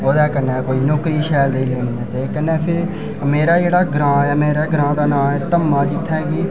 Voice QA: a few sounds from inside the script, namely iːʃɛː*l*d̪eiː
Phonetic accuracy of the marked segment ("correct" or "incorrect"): correct